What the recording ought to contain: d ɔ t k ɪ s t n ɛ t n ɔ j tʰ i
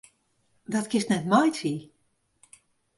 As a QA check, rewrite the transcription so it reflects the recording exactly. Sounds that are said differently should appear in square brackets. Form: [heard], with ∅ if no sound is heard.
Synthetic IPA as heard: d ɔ t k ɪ s t n ɛ t [m] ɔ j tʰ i